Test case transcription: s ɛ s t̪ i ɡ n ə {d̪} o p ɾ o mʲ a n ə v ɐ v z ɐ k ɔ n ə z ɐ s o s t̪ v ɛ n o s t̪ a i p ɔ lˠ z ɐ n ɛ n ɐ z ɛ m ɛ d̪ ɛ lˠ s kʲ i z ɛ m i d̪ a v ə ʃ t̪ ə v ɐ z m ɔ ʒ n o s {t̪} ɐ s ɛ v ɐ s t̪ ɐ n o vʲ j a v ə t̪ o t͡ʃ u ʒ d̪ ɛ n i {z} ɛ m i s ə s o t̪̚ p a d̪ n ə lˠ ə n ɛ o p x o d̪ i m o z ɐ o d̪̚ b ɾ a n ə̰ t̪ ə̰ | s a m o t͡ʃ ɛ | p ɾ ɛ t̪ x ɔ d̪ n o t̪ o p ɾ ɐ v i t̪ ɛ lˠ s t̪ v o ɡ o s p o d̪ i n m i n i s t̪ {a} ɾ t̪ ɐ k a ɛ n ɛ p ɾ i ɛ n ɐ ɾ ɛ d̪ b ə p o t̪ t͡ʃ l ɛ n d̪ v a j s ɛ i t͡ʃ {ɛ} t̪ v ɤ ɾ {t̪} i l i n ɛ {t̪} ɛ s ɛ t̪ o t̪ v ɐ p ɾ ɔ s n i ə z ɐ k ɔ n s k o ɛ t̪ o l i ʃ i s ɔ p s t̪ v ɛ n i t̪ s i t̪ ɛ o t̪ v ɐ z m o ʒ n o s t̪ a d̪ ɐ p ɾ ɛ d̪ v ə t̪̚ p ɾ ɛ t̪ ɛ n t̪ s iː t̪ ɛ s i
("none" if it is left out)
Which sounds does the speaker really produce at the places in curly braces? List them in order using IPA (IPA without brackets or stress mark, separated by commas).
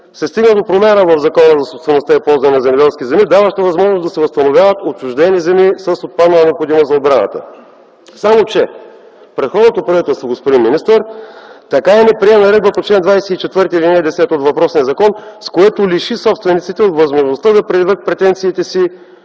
d̪, d̪, z, ə, ɛ, t̪, d̪